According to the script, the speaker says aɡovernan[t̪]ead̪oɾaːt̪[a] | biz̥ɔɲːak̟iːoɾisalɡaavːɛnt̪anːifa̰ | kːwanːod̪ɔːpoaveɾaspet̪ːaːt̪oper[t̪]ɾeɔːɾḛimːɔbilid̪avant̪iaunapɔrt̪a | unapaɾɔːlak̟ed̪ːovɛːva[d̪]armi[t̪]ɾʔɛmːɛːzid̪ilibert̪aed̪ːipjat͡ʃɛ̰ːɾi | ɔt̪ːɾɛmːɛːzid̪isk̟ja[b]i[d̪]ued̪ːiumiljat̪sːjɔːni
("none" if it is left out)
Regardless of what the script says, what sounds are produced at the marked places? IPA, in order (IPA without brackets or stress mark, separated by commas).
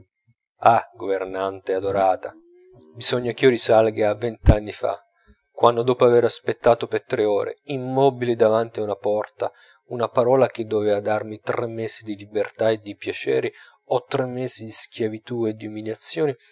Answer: t̪, a, t̪, d̪, t̪, v, t̪